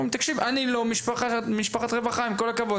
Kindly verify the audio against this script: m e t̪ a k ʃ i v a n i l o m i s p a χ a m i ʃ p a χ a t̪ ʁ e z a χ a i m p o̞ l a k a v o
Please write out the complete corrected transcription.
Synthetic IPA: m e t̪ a k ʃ i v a n i l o m i ʃ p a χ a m i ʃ p a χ a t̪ ʁ e v a χ a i m k o̞ l a k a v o